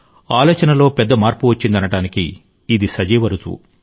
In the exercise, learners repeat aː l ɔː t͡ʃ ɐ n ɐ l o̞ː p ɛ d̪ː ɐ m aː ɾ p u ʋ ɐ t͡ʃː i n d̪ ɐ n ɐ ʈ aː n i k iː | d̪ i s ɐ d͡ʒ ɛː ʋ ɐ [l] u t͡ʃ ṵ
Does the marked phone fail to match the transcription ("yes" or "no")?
yes